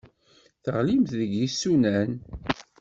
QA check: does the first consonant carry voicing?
no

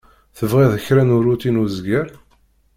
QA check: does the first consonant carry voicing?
no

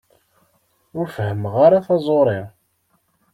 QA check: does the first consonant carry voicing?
yes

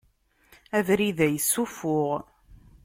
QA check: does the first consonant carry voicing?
yes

